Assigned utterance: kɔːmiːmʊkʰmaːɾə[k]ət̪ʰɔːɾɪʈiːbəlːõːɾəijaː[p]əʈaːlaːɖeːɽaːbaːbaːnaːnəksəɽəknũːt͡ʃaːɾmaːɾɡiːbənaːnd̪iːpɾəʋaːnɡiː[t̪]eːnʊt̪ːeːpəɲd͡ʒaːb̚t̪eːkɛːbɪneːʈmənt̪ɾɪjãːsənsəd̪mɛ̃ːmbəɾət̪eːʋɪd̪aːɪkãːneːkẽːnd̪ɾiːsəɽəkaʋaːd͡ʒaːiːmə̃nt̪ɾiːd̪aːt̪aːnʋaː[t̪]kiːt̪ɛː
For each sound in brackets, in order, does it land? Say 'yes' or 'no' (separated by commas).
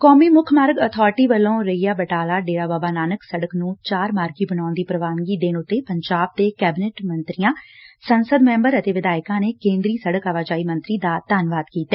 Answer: no, no, no, no